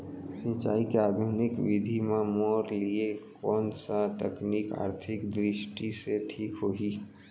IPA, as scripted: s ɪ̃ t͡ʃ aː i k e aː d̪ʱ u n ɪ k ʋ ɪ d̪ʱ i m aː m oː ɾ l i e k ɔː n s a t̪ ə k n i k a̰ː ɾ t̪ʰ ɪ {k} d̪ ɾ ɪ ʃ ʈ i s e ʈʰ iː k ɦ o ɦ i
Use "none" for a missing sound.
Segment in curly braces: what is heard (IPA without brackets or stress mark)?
k